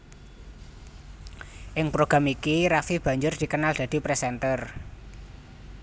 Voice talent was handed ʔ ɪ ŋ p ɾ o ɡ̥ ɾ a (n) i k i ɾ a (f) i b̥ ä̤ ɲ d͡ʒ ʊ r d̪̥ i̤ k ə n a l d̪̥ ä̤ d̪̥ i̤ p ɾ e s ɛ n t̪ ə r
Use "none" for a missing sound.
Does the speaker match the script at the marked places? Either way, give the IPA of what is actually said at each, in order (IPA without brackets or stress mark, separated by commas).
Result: m, f